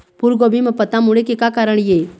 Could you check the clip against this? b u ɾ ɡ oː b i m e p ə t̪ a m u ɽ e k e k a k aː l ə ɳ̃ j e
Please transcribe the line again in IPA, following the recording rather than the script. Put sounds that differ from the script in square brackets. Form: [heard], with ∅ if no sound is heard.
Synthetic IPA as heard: [p] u ɾ ɡ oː b i m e p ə t̪ a m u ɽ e k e k a k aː [ɾ] ə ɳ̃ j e